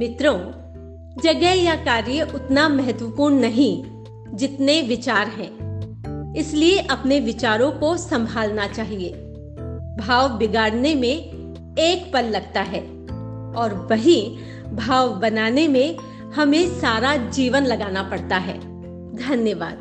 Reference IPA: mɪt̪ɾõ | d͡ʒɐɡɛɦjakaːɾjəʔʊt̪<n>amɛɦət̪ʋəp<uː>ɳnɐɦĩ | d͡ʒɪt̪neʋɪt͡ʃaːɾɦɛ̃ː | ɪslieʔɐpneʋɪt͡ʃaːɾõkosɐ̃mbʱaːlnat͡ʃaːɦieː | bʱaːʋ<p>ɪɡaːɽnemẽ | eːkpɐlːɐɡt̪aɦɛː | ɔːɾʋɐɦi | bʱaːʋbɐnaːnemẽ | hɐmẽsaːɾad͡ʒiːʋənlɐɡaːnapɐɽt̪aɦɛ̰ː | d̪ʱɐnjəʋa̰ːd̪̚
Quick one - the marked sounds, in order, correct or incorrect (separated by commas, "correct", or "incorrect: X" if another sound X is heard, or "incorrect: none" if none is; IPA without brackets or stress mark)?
correct, correct, incorrect: b